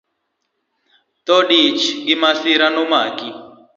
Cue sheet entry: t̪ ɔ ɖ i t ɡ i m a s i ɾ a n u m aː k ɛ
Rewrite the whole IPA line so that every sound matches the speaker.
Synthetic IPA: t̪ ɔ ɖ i t͡ʃ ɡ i m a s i ɾ a n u m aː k i